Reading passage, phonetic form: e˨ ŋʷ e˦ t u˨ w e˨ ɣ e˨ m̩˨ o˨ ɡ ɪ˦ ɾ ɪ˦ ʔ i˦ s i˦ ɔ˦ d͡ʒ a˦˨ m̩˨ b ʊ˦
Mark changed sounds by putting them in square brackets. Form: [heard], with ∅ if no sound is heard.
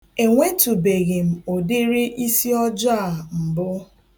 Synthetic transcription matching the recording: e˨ ŋʷ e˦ t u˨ [b] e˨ ɣ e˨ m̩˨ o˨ [d] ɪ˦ ɾ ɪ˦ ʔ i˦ s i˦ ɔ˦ d͡ʒ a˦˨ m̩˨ b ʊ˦

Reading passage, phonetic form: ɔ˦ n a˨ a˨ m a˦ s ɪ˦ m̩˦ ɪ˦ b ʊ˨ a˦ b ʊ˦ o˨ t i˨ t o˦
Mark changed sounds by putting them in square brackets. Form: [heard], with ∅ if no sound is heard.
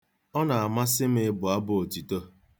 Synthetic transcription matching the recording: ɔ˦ n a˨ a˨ m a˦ s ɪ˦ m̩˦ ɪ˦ b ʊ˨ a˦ b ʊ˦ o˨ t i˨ t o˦

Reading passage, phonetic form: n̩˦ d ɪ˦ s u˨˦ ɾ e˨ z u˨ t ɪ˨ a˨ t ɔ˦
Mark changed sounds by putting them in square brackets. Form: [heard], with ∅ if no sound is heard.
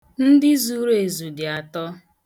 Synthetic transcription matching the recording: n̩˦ d ɪ˦ [z] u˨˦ ɾ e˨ z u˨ [d] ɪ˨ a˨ t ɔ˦

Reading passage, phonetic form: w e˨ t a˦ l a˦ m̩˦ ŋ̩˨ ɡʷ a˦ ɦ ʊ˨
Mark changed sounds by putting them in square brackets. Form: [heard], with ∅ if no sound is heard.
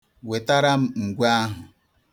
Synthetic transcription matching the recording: w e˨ t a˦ [ɾ] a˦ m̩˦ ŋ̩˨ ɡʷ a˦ ɦ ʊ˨

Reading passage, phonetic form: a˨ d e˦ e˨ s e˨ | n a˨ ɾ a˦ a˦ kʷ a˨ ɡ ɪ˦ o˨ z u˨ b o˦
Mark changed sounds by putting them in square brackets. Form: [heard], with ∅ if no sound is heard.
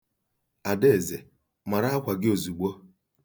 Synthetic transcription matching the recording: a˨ d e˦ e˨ [z] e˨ | [m] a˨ ɾ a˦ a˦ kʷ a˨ ɡ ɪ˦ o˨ z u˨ [ɡ͡b] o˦

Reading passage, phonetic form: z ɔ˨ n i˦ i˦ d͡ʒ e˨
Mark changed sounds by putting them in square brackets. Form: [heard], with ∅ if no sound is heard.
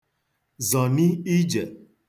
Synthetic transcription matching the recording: z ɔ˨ n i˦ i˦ d͡ʒ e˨

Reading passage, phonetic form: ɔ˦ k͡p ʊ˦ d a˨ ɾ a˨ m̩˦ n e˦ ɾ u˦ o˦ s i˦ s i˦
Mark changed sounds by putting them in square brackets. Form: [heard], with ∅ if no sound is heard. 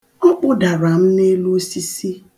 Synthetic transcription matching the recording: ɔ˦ k͡p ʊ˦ d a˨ ɾ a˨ m̩˦ n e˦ [l] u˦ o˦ s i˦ s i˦

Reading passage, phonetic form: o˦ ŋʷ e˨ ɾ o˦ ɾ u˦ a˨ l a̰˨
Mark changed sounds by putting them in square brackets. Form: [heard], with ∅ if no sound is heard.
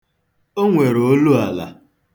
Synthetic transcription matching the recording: o˦ ŋʷ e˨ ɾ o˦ [l] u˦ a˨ l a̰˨

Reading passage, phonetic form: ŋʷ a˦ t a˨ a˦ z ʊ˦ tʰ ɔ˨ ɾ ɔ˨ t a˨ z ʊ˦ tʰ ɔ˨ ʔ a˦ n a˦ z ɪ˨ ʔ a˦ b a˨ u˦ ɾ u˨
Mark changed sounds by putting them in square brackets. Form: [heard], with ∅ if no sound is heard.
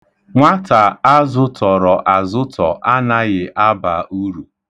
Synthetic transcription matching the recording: ŋʷ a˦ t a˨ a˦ z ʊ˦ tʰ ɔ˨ ɾ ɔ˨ [ʔ] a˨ z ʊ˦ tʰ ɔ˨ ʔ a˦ n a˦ [ɣ] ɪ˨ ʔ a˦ b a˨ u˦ ɾ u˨

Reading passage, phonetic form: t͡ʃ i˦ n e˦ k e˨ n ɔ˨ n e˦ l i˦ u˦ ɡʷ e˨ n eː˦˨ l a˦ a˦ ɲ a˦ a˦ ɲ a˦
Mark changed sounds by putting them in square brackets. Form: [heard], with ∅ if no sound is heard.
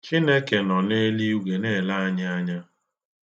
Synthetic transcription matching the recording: t͡ʃ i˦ n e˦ k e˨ n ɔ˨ n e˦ l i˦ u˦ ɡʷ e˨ n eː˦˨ l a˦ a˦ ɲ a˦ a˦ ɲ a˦

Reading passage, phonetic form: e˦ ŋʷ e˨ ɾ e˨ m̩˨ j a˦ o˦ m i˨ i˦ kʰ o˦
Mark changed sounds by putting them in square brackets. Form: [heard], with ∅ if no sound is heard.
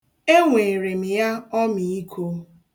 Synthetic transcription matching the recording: e˦ ŋʷ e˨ ɾ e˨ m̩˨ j a˦ [ɔ˦] m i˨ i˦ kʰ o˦

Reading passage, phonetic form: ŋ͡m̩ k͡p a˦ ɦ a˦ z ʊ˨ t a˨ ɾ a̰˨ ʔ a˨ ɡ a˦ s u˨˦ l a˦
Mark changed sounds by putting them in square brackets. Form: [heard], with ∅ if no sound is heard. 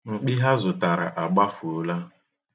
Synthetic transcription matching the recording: ŋ͡m̩ k͡p [i˦] ɦ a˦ z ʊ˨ t a˨ ɾ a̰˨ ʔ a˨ [ɡ͡b] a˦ [f] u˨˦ l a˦

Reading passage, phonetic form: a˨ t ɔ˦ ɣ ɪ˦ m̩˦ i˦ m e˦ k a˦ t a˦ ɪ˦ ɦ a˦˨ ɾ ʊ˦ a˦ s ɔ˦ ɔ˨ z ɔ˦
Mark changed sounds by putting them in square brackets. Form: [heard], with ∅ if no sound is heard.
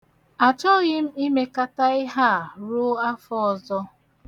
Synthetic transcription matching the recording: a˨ [t͡ʃ] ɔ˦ ɣ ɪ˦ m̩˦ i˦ m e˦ k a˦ t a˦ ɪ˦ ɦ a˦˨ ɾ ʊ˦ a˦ [f] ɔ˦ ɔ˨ z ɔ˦

